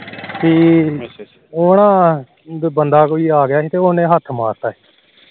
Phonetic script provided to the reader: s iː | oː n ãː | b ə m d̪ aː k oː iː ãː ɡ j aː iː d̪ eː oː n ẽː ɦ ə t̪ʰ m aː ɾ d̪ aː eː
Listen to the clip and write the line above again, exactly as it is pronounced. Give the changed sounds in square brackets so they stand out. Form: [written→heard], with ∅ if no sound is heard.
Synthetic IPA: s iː | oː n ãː | b ə [m→n] d̪ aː k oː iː [ãː→aː] ɡ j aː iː [d̪→t̪] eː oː n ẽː ɦ ə t̪ʰ m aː ɾ [d̪→t̪] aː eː